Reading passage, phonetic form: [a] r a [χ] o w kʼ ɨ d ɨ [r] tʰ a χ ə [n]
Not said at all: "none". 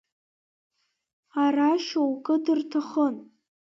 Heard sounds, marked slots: a, ʃ, r, n

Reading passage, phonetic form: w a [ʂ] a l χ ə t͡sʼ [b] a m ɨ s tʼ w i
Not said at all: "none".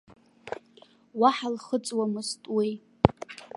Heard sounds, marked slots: ħ, w

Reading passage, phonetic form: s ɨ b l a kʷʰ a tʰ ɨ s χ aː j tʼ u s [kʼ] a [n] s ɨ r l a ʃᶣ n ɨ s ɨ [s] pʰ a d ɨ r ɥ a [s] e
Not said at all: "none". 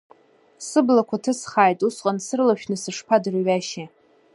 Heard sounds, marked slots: qʼ, n, ʂ, ʃ

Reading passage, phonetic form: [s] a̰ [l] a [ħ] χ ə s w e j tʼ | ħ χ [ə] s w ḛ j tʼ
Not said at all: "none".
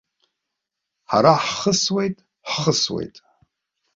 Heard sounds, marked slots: ħ, ɾ, ħ, ə

